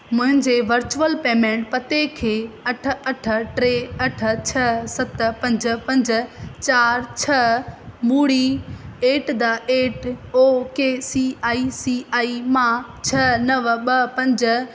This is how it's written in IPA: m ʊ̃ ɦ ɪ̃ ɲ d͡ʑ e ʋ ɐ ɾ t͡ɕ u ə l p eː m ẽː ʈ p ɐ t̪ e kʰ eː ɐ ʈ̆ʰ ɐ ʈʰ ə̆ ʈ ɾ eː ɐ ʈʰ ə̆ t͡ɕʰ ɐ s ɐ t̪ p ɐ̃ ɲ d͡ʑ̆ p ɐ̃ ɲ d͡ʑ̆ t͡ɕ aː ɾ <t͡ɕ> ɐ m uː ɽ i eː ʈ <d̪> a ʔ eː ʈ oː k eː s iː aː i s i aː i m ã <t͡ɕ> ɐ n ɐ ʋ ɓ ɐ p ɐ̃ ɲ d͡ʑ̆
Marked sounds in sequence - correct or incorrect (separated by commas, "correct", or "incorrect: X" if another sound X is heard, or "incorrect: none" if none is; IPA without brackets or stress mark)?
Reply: incorrect: t͡ɕʰ, correct, incorrect: t͡ɕʰ